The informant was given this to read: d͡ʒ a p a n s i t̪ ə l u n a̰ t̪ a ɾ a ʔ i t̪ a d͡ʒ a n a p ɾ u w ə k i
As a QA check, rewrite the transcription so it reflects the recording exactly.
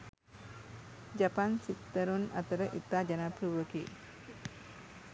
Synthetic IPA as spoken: d͡ʒ a p a n s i t̪ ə ɾ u n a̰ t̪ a ɾ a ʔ i t̪ a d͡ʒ a n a p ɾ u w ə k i

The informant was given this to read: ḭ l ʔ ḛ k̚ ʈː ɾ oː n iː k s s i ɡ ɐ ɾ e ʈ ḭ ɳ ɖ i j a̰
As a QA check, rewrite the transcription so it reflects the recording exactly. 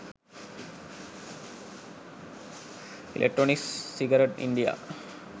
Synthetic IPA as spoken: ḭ l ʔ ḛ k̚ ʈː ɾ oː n i k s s i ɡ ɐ ɾ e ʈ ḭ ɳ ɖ i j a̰

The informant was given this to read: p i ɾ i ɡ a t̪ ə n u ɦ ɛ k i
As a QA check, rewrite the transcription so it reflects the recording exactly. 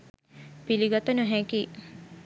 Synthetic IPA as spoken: p i l i ɡ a t̪ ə n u ɦ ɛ k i

